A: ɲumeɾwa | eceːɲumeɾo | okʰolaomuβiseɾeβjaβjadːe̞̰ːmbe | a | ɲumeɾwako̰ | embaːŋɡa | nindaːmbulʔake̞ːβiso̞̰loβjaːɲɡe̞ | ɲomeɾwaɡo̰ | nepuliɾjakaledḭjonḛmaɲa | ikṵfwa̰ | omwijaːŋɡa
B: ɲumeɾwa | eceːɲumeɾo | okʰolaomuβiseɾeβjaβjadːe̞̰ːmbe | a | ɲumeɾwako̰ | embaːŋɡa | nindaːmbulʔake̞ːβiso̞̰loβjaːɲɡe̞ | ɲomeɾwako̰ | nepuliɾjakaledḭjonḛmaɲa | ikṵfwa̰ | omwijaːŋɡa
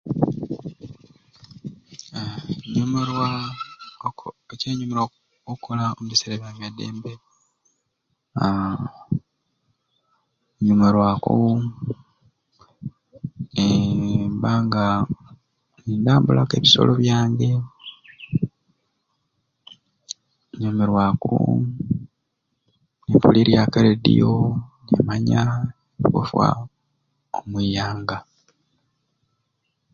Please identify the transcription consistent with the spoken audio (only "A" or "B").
B